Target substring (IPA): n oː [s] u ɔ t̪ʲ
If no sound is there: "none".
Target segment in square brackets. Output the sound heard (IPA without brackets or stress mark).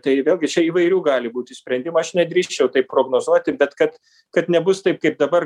z